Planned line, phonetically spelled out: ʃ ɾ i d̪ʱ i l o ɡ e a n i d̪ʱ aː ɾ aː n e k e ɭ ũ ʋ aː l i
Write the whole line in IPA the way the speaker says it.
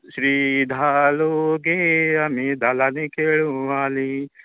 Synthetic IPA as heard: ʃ ɾ i d̪ʱ a l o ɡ e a m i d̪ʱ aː l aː n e k e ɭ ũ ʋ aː l i